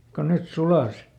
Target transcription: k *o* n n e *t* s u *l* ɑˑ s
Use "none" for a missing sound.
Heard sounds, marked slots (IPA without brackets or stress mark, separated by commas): o, t, l